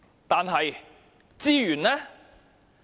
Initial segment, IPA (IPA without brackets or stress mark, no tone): t̪